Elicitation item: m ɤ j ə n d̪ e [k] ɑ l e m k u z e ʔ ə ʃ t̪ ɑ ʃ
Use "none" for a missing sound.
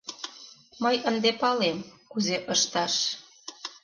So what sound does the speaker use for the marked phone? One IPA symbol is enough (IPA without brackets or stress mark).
p